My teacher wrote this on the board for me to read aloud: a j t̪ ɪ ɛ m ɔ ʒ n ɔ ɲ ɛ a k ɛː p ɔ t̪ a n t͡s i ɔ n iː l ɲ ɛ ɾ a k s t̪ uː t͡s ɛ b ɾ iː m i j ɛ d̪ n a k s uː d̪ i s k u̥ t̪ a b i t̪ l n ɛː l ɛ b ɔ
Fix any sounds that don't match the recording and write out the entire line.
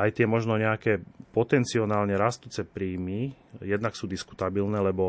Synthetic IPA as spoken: a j t̪ ɪ ɛ m ɔ ʒ n ɔ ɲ ɛ a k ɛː p ɔ t̪ ɛ n t͡s i ɔ n aː l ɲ ɛ ɾ a s t̪ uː t͡s ɛ p ɾ iː m i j ɛ d̪ n a k s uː d̪ i s k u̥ t̪ a b i l n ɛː l ɛ b ɔ